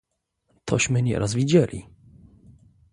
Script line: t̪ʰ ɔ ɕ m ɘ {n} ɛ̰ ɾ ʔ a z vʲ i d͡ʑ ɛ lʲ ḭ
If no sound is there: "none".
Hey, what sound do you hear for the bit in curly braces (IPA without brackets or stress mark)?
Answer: ɲ